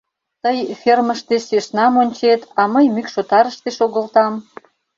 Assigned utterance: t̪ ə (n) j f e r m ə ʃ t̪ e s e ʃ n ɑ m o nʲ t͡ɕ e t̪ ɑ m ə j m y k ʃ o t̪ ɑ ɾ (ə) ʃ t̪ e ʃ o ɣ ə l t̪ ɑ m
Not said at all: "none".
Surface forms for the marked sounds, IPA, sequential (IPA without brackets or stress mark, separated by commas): none, ə